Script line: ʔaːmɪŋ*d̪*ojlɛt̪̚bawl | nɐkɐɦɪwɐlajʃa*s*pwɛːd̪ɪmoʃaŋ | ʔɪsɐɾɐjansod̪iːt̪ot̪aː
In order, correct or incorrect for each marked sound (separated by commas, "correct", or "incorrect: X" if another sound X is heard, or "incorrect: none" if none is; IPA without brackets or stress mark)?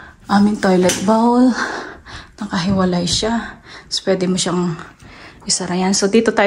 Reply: incorrect: t̪, correct